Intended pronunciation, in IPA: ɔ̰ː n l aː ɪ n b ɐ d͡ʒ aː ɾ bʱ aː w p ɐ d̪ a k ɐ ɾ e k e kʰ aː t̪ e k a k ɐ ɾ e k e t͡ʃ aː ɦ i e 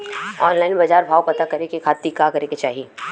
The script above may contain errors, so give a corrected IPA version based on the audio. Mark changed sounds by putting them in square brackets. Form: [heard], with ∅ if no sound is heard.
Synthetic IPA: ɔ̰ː n l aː ɪ n b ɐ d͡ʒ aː ɾ bʱ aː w p ɐ [t̪] a k ɐ ɾ e k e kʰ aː t̪ [i] k a k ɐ ɾ e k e t͡ʃ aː ɦ i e